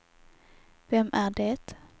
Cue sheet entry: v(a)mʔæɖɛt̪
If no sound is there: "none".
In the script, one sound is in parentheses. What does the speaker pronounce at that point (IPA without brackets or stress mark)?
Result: ɛ